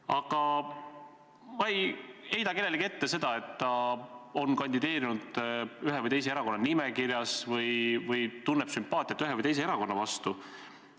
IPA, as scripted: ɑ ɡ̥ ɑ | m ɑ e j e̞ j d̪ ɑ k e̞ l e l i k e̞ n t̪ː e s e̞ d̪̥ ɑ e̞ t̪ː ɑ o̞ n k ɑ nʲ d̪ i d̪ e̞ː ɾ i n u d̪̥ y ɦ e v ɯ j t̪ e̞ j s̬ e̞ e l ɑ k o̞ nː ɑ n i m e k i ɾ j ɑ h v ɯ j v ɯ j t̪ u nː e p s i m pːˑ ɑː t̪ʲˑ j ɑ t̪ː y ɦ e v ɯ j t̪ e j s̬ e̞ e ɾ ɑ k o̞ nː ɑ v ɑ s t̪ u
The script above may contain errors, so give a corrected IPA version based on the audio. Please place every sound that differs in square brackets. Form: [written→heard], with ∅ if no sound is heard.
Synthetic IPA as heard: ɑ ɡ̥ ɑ | m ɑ e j e̞ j d̪ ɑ k e̞ l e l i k e̞ [n→∅] t̪ː e s e̞ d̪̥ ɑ e̞ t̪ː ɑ o̞ n k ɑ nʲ d̪ i d̪ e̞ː ɾ i n u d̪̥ y ɦ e v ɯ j t̪ e̞ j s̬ e̞ e [l→ɾ] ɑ k o̞ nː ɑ n i m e k i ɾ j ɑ [h→s] v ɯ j v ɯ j t̪ u nː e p s [i→y] m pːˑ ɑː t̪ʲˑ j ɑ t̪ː y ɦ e v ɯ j t̪ e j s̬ e̞ e ɾ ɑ k o̞ nː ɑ v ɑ s t̪ u